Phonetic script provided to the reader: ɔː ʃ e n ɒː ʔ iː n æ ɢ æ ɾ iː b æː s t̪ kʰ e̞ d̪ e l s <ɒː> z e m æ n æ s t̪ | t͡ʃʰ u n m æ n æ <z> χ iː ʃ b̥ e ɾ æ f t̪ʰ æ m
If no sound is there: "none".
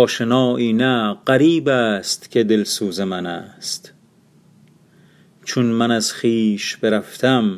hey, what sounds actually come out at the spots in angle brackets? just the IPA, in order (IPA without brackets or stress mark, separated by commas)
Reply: uː, z